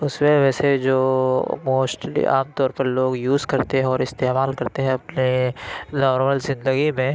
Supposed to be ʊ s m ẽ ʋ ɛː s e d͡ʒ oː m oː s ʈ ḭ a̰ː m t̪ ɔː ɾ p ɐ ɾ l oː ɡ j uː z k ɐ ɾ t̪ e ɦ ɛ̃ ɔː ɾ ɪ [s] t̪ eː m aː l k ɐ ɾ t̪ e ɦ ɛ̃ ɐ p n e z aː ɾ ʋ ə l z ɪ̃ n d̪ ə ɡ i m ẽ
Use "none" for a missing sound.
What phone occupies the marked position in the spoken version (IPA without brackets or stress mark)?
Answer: s